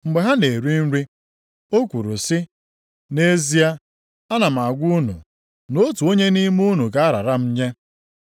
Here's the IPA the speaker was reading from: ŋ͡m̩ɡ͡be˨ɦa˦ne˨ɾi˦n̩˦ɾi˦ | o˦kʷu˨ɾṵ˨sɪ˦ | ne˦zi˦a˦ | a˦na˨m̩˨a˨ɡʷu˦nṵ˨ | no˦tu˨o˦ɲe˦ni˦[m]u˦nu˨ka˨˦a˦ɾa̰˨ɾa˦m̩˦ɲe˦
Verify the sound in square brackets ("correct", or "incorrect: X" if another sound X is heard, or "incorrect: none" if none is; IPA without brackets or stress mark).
correct